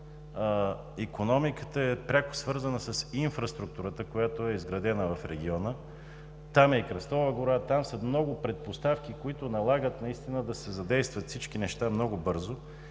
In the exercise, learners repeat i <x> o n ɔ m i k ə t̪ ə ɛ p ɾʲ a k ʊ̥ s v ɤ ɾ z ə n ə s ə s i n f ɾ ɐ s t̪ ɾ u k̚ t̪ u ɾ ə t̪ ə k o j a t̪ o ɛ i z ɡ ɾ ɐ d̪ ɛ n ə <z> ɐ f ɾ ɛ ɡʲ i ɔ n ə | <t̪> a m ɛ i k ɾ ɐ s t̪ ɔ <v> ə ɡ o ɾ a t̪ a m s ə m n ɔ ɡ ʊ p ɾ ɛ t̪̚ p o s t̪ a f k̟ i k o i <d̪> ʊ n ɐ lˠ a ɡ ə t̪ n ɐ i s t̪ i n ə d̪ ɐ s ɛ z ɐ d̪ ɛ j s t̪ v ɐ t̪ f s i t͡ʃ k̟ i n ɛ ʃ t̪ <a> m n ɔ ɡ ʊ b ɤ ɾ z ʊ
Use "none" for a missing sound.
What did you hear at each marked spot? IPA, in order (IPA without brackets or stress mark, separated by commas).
k, v, t̪, v, t̪, a